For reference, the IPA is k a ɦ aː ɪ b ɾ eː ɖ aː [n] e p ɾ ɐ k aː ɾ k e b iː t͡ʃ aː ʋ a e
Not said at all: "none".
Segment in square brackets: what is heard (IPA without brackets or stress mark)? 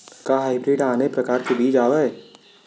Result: n